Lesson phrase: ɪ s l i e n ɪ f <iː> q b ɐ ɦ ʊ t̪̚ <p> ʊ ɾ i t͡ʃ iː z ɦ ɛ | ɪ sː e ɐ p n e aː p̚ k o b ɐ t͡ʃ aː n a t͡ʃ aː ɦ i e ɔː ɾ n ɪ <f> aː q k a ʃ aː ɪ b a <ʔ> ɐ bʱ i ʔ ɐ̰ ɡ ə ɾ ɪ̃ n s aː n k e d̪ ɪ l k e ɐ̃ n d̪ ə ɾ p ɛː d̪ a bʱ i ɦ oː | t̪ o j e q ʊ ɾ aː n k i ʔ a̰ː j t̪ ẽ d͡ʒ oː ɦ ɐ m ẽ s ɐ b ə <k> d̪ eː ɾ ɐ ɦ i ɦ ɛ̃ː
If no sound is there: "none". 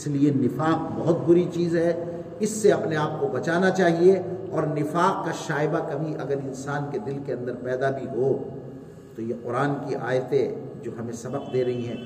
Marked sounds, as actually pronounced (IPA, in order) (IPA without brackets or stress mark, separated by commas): aː, b, f, k, q